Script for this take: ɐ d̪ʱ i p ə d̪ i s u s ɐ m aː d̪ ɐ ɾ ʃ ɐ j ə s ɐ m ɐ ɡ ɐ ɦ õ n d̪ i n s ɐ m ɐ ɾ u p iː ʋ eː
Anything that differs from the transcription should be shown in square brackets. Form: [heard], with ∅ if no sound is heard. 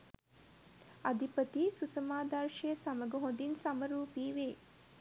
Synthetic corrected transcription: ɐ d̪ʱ i p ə [t̪] i s u s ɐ m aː d̪ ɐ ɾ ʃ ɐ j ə s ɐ m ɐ ɡ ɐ ɦ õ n d̪ i n s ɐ m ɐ ɾ [uː] p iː ʋ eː